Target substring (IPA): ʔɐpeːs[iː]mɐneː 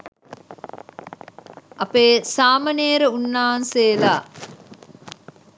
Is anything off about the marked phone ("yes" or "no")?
yes